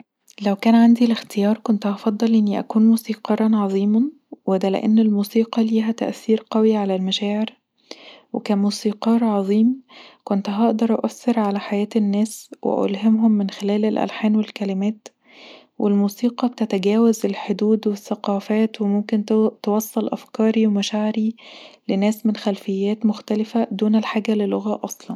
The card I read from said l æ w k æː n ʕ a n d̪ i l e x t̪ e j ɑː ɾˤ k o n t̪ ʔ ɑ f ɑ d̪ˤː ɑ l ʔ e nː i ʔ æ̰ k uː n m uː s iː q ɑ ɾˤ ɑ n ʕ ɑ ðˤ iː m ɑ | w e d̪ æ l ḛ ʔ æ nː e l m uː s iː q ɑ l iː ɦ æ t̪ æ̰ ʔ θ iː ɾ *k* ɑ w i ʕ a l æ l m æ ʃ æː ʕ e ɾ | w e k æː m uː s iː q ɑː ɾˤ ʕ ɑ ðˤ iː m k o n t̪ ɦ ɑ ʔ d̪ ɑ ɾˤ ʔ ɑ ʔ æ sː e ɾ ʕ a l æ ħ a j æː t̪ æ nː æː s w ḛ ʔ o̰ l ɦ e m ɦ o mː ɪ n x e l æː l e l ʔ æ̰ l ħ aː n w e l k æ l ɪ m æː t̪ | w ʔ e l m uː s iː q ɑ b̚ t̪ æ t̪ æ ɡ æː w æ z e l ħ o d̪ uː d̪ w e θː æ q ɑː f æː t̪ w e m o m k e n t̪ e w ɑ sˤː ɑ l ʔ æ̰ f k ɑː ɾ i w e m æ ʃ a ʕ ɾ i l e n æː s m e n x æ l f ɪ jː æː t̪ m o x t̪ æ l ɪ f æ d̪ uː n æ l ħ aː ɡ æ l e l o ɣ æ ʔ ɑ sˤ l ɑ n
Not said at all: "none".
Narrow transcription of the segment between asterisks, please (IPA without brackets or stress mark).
q